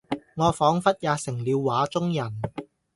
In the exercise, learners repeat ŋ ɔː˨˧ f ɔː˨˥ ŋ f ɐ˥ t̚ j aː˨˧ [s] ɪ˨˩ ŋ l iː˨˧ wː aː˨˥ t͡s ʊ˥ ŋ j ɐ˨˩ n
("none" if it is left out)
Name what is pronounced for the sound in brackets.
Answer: s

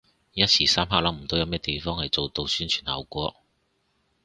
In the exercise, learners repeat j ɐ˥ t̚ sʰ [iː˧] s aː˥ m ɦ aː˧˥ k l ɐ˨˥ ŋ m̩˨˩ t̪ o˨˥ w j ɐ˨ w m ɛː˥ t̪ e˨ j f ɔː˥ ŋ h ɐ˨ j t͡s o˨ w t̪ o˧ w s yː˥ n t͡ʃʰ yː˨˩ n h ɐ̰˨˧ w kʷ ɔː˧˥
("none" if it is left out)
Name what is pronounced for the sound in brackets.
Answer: iː˨˩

